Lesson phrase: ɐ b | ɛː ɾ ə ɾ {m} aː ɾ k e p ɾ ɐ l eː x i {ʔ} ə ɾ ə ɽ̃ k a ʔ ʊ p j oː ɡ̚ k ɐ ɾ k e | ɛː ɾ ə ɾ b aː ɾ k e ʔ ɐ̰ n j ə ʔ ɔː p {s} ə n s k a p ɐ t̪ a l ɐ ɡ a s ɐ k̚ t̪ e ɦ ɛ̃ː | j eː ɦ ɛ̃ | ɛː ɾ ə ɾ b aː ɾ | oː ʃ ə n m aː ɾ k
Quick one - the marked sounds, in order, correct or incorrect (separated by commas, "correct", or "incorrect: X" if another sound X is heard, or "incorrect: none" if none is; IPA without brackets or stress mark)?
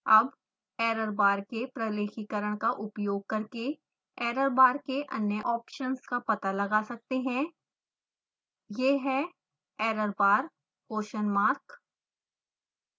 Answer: incorrect: b, incorrect: k, incorrect: ʃ